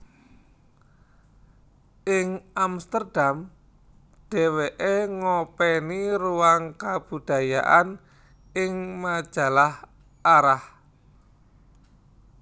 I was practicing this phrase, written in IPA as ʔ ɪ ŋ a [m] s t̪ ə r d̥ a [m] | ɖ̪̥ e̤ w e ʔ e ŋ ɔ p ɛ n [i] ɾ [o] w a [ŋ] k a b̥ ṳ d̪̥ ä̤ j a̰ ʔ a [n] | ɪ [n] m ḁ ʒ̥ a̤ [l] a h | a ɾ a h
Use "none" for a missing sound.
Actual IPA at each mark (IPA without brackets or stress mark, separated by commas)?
m, m, i, u, ŋ, n, ŋ, l